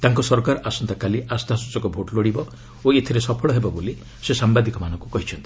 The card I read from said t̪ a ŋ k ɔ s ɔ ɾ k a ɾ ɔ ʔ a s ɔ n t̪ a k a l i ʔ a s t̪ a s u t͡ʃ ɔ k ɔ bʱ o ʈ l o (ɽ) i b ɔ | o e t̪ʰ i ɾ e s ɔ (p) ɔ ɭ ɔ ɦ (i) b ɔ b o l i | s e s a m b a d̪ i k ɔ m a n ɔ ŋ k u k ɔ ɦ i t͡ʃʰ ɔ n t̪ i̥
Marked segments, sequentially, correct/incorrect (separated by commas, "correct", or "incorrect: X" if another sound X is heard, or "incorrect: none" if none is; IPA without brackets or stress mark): correct, incorrect: pʰ, incorrect: e